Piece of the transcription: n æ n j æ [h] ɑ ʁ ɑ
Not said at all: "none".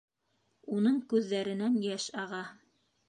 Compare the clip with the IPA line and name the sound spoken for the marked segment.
ʃ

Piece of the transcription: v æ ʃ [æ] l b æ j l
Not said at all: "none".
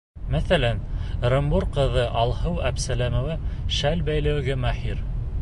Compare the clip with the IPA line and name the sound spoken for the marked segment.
æ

